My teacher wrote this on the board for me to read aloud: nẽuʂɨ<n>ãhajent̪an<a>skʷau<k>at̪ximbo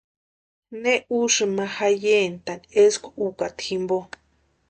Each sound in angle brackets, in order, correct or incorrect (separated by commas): incorrect, incorrect, correct